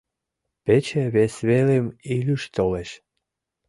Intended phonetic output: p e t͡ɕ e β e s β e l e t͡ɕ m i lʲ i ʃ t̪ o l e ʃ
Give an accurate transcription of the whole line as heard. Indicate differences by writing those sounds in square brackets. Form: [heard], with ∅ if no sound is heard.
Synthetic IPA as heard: p e t͡ɕ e β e s β e l e [∅] m i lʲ [y] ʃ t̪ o l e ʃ